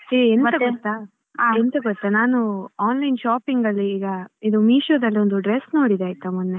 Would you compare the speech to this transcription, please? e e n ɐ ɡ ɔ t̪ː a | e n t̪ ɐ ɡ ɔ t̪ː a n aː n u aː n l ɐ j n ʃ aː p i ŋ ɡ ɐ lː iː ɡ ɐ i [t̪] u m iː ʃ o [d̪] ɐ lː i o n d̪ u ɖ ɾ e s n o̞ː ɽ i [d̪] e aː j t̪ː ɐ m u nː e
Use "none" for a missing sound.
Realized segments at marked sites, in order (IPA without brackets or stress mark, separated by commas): d̪, d̪, d̪